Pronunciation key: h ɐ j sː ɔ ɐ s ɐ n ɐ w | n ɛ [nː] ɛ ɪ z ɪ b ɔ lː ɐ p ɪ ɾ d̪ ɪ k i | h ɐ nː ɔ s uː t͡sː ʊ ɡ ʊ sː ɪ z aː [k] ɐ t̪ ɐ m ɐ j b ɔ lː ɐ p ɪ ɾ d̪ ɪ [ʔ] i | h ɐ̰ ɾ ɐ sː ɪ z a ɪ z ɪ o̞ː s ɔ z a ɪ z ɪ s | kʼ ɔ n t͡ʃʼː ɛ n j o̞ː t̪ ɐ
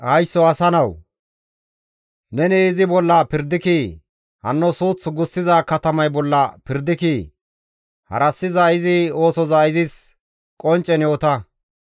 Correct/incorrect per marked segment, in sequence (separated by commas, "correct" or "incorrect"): incorrect, correct, incorrect